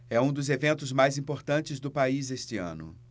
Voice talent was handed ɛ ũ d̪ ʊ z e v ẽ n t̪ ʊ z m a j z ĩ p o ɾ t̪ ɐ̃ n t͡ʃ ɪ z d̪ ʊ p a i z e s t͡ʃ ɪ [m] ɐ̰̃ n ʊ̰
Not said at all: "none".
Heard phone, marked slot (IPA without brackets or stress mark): none